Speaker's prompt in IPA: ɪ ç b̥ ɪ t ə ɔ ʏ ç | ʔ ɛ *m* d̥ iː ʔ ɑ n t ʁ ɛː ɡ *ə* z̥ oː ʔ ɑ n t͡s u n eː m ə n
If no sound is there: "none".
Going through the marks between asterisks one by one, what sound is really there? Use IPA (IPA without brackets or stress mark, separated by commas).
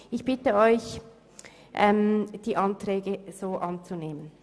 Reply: m, ə